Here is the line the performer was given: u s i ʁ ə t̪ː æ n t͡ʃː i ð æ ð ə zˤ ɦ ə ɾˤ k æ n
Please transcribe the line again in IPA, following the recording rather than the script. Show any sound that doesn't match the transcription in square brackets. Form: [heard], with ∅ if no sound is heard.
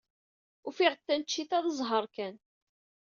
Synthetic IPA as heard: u [f] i ʁ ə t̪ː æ n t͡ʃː i [θ] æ ð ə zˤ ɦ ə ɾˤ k æ n